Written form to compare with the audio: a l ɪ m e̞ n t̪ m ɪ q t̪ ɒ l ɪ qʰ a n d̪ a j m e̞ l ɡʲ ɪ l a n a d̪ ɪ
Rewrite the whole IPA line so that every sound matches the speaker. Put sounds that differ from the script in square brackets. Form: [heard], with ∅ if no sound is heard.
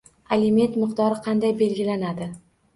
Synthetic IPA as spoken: a l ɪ m e̞ n t̪ m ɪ q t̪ ɒ [ɾ] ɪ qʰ [ɑ] n d̪ a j [b] e̞ l ɡʲ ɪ l a n a d̪ ɪ

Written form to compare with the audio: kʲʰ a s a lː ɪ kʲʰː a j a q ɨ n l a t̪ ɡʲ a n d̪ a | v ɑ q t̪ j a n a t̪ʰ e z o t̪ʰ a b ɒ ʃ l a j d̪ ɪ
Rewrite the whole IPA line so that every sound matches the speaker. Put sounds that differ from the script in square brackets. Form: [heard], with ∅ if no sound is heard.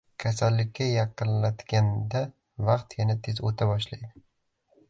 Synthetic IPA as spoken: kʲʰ a s a lː ɪ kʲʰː a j [ɑ] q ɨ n l a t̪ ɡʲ a n d̪ a | v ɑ q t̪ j a n a t̪ʰ e z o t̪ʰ a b ɒ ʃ l a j d̪ ɪ

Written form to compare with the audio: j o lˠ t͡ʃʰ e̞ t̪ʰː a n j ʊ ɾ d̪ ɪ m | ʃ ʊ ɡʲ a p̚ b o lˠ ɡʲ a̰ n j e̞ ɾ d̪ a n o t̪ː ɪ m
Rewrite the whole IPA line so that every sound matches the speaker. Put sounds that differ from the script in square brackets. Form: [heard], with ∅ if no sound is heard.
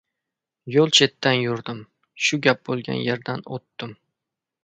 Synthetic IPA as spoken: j o lˠ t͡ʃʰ e̞ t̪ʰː a n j ʊ ɾ d̪ ɪ m | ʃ ʊ ɡʲ a p̚ b o lˠ ɡʲ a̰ n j e̞ ɾ d̪ a n o t̪ː ɪ m

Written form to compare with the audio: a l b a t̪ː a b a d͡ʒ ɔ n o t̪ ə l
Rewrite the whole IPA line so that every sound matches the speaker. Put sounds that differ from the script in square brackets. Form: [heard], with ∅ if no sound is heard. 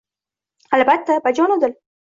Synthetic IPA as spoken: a l b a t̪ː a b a d͡ʒ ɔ n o [d̪] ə l

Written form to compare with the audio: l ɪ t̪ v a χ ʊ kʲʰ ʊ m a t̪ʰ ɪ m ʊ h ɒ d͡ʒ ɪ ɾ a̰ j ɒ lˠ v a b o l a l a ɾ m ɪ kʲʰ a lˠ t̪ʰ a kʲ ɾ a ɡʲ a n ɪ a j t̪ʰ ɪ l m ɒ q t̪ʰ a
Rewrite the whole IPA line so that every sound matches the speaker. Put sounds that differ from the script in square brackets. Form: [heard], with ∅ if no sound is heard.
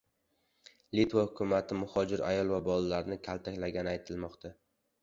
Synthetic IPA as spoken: l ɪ t̪ v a [h] ʊ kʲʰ ʊ m a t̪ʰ ɪ m ʊ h ɒ d͡ʒ ɪ ɾ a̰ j ɒ lˠ v a b [ɒ] l a l a ɾ [n] ɪ kʲʰ a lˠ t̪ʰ a kʲ [l] a ɡʲ a n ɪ a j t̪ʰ ɪ l m ɒ q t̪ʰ a

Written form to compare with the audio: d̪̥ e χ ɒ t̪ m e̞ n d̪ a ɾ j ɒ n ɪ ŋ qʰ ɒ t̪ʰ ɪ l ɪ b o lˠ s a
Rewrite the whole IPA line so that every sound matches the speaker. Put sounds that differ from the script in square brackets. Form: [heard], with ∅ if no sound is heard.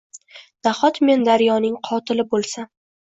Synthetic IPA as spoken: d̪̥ [a] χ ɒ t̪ m e̞ n d̪ a ɾ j ɒ n ɪ ŋ qʰ ɒ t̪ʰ ɪ l ɪ b o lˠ s a

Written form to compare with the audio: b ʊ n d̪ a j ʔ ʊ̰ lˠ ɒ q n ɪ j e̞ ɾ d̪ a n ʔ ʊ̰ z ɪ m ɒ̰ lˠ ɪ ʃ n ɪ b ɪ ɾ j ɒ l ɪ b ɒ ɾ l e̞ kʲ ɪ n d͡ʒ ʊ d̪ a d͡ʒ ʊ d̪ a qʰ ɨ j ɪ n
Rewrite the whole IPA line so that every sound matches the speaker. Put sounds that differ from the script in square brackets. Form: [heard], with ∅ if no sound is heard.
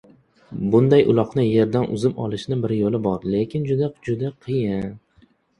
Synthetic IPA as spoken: b ʊ n d̪ a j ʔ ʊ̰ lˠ ɒ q n ɪ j e̞ ɾ d̪ a n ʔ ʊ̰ z ɪ m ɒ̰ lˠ ɪ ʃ n ɪ b ɪ ɾ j [o] l ɪ b ɒ ɾ l e̞ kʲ ɪ n d͡ʒ ʊ d̪ a d͡ʒ ʊ d̪ a qʰ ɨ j ɪ n

